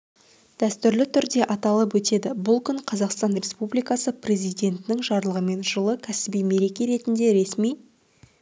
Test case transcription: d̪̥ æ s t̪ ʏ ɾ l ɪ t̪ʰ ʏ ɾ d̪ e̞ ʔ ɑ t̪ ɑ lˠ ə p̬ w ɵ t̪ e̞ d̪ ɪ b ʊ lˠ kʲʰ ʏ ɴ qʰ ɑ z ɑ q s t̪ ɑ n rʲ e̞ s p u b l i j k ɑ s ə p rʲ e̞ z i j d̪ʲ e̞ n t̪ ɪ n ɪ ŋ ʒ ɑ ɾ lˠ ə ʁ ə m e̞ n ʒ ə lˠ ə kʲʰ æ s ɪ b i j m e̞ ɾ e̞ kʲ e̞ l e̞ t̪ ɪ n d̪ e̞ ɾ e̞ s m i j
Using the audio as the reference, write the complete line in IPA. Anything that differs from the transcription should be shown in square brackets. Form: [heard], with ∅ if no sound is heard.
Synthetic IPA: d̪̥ æ s t̪ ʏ ɾ l ɪ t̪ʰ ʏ ɾ d̪ e̞ ʔ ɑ t̪ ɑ lˠ ə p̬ w ɵ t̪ e̞ d̪ ɪ b ʊ lˠ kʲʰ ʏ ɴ qʰ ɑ z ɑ q s t̪ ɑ n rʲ e̞ s p u b l i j k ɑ s ə p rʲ e̞ z i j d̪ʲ e̞ n t̪ ɪ n ɪ ŋ ʒ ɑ ɾ lˠ ə ʁ ə m e̞ n ʒ ə lˠ ə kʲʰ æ s ɪ b i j m e̞ ɾ e̞ kʲ e̞ [ɾ] e̞ t̪ ɪ n d̪ e̞ ɾ e̞ s m i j